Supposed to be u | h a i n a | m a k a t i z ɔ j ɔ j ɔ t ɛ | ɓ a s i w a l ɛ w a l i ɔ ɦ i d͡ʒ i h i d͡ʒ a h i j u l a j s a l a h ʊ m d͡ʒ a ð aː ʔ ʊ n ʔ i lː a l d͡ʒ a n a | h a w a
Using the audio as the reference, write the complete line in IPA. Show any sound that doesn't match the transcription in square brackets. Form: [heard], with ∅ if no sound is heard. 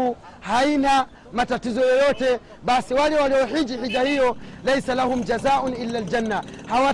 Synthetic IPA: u | h a i n a | m a [t] a t i z ɔ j ɔ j ɔ t ɛ | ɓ a s i w a l ɛ w a l i ɔ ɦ i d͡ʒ i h i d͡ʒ a h i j [ɔ] l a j s a l a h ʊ m d͡ʒ a [z] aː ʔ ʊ n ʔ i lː a l d͡ʒ a [nː] a | h a w a